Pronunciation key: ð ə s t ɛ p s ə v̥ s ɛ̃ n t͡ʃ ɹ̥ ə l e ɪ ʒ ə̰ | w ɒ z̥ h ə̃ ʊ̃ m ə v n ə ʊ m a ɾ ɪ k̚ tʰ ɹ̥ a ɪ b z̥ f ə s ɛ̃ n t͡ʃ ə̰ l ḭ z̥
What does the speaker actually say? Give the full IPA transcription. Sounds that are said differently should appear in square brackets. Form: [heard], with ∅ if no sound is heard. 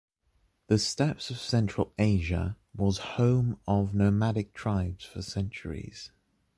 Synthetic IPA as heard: ð ə s t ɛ p s ə v̥ s ɛ̃ n t͡ʃ ɹ̥ ə l e ɪ ʒ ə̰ | w ɒ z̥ h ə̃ ʊ̃ m ə v n ə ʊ m a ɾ ɪ k̚ tʰ ɹ̥ a ɪ b z̥ f ə s ɛ̃ n t͡ʃ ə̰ [ɹ] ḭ z̥